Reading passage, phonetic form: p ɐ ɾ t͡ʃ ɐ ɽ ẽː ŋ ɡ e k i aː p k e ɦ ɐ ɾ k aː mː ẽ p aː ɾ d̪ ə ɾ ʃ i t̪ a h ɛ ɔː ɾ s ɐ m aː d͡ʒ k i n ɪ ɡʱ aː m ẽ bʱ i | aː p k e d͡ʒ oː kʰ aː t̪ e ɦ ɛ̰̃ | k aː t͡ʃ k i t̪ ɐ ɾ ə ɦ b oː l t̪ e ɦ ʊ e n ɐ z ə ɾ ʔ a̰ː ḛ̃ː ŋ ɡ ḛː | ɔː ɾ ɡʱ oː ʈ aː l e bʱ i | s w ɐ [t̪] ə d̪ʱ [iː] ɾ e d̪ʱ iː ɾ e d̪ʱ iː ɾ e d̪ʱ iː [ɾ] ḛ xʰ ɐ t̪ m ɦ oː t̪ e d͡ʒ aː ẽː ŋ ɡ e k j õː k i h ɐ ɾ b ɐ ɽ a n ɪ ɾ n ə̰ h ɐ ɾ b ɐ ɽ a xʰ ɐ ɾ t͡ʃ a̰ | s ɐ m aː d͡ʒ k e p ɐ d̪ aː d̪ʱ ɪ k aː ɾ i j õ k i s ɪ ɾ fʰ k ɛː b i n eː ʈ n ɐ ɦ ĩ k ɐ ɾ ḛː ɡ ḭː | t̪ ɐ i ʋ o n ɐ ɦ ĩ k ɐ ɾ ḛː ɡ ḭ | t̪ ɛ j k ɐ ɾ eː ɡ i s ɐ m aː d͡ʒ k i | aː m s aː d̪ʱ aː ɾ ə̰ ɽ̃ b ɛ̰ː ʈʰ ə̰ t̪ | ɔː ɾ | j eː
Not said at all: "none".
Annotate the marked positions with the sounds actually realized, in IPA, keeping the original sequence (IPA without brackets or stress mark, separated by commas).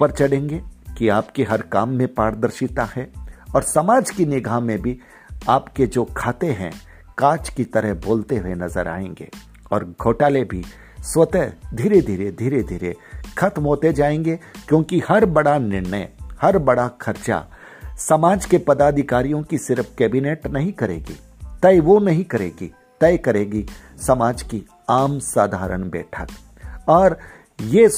t̪, iː, ɾ